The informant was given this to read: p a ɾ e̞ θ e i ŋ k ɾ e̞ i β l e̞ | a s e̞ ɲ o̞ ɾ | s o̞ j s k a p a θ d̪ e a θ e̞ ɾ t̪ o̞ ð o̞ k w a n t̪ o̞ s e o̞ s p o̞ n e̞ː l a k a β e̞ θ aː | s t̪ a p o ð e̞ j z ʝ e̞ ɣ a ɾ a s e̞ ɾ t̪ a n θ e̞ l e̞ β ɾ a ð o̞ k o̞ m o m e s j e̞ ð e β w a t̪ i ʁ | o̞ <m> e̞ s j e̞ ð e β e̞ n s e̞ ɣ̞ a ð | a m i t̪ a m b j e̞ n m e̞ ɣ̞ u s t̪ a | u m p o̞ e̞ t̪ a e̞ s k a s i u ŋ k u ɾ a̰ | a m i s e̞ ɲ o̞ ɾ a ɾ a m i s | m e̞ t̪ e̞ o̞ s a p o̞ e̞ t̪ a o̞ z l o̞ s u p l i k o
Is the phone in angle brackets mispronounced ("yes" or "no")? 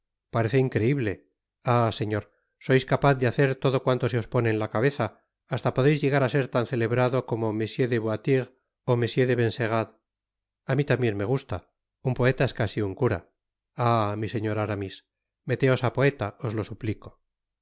no